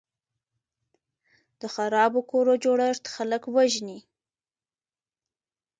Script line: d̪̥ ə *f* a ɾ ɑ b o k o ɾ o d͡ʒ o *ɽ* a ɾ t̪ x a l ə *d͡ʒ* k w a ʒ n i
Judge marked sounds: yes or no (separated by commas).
no, yes, no